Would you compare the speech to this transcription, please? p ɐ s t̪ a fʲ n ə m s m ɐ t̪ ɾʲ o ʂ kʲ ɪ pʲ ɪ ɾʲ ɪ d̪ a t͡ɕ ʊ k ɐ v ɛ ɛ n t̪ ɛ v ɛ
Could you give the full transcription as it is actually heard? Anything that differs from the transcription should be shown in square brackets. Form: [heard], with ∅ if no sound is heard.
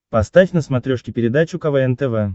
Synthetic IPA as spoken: p ɐ s t̪ a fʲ n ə [∅] s m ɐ t̪ ɾʲ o ʂ kʲ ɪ pʲ ɪ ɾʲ ɪ d̪ a t͡ɕ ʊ k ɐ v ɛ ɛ n t̪ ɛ v ɛ